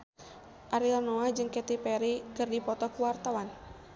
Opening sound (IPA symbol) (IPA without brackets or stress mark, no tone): ʔ